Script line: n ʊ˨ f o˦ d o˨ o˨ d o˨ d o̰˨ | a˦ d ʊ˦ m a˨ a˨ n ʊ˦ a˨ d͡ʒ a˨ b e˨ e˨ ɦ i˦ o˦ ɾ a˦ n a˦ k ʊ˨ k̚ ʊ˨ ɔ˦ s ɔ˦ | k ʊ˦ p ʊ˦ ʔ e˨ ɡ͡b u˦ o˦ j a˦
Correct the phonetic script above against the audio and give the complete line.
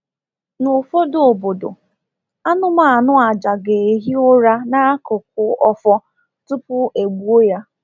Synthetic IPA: n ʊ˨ f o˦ d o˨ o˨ b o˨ d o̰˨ | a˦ n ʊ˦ m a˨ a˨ n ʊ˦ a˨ d͡ʒ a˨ ɡ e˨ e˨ ɦ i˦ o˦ ɾ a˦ n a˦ k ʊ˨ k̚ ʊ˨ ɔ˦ f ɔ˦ | t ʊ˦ p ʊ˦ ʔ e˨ ɡ͡b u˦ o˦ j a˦

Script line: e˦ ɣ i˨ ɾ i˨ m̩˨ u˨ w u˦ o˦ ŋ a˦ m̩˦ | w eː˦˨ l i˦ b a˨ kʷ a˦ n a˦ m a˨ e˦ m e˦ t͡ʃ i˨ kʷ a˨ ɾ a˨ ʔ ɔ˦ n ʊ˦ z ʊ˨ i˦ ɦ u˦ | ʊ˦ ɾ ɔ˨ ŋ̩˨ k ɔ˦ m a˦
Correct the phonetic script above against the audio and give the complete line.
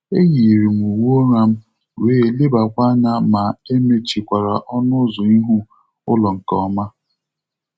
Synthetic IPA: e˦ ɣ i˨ ɾ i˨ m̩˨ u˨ w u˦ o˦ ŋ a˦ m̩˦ | w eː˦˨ l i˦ b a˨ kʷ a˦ n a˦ m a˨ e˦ m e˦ t͡ʃ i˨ kʷ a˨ ɾ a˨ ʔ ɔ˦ n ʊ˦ z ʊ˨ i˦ ɦ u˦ | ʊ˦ l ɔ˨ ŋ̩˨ k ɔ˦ m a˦

